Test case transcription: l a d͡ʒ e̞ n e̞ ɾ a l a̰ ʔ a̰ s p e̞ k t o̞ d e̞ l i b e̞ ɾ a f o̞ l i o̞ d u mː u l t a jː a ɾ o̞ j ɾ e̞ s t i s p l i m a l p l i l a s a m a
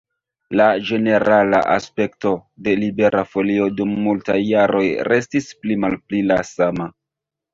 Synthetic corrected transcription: l a d͡ʒ e̞ n e̞ ɾ a l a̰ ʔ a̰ s p e̞ k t o̞ d e̞ l i b e̞ ɾ a f o̞ l i o̞ d u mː u l t a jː a ɾ o̞ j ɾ e̞ s t i s p l i m a l p l i l a s a m a

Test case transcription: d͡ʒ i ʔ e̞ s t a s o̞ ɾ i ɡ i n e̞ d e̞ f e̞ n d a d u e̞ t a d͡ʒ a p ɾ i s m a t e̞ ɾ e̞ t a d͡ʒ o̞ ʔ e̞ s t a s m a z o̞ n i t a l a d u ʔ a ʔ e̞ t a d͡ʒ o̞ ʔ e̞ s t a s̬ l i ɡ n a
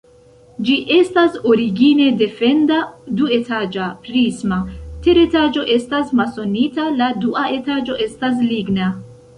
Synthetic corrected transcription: d͡ʒ i ʔ e̞ s t a s o̞ ɾ i ɡ i n e̞ d e̞ f e̞ n d a d u e̞ t a d͡ʒ a p ɾ i s m a t e̞ ɾ e̞ t a d͡ʒ o̞ ʔ e̞ s t a s m a s o̞ n i t a l a d u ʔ a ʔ e̞ t a d͡ʒ o̞ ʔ e̞ s t a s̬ l i ɡ n a

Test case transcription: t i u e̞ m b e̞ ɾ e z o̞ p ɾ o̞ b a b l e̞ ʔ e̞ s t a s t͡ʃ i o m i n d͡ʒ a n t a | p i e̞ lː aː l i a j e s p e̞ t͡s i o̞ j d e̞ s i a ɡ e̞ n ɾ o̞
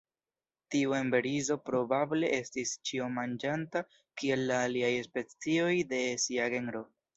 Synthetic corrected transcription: t i u e̞ m b e̞ ɾ i z o̞ p ɾ o̞ b a b l e̞ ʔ e̞ s t i s t͡ʃ i o m a n d͡ʒ a n t a | k i e̞ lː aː l i a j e s p e̞ t͡s i o̞ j d e̞ s i a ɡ e̞ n ɾ o̞

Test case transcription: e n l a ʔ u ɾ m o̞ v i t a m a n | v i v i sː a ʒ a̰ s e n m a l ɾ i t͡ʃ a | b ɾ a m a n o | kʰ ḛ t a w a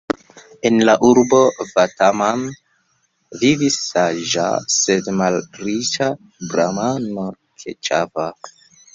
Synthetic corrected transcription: e n l a ʔ u ɾ b o̞ v a t a m a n | v i v i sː a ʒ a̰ s e d m a l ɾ i t͡ʃ a | b ɾ a m a n o | kʰ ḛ t͡ʃ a v a

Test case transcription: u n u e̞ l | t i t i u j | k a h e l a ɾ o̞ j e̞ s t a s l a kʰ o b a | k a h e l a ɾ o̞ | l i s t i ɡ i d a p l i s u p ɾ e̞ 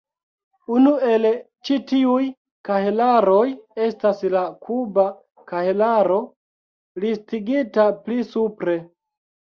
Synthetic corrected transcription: u n u e̞ l | t͡ʃ i t i u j | k a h e l a ɾ o̞ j e̞ s t a s l a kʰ u b a | k a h e l a ɾ o̞ | l i s t i ɡ i t a p l i s u p ɾ e̞

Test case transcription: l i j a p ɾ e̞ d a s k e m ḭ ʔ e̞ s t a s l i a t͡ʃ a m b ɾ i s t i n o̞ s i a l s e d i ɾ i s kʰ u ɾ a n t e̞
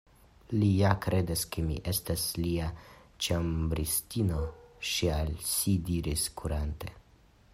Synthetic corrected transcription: l i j a k ɾ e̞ d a s k e m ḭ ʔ e̞ s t a s l i a t͡ʃ a m b ɾ i s t i n o̞ ʃ i a l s i d i ɾ i s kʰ u ɾ a n t e̞

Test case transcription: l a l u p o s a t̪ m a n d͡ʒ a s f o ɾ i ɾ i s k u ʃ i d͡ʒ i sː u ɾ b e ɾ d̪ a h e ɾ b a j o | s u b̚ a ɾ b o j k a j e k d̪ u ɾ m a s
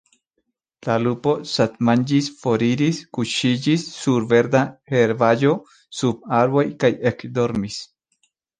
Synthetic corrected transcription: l a l u p o s a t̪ m a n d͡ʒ i s f o ɾ i ɾ i s k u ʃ i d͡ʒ i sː u ɾ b e ɾ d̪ a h e ɾ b a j o | s u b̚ a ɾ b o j k a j e k d̪ o ɾ m i s

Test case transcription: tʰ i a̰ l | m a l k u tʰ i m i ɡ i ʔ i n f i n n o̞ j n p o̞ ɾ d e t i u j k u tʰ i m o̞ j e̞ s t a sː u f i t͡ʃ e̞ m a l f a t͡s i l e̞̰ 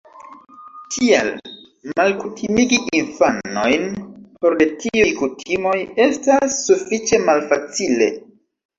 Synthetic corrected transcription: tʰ i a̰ l | m a l k u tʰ i m i ɡ i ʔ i n f a n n o̞ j n p o̞ ɾ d e t i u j k u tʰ i m o̞ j e̞ s t a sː u f i t͡ʃ e̞ m a l f a t͡s i l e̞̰

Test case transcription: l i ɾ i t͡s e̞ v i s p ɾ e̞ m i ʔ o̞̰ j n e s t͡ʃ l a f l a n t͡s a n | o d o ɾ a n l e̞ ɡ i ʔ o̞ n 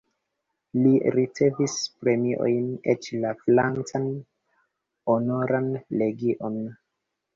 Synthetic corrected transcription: l i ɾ i t͡s e̞ v i s p ɾ e̞ m i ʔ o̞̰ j n e t͡ʃ l a f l a n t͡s a n | o n o ɾ a n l e̞ ɡ i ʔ o̞ n

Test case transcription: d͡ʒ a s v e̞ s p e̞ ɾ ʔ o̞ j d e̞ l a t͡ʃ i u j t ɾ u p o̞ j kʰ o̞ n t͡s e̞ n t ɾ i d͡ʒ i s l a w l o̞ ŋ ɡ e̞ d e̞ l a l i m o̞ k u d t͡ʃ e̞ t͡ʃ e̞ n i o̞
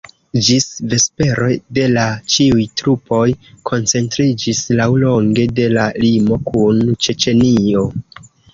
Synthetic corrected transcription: d͡ʒ i s v e̞ s p e̞ ɾ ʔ o̞ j d e̞ l a t͡ʃ i u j t ɾ u p o̞ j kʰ o̞ n t͡s e̞ n t ɾ i d͡ʒ i s l a w l o̞ ŋ ɡ e̞ d e̞ l a l i m o̞ k u n t͡ʃ e̞ t͡ʃ e̞ n i o̞

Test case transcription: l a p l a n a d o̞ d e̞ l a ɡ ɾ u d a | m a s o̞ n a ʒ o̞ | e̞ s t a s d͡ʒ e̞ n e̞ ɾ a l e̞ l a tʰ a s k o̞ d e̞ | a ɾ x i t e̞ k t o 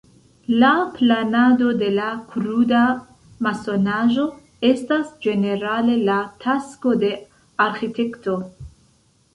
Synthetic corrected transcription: l a p l a n a d o̞ d e̞ l a k ɾ u d a | m a s o̞ n a ʒ o̞ | e̞ s t a s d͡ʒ e̞ n e̞ ɾ a l e̞ l a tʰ a s k o̞ d e̞ | a ɾ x i t e̞ k t o

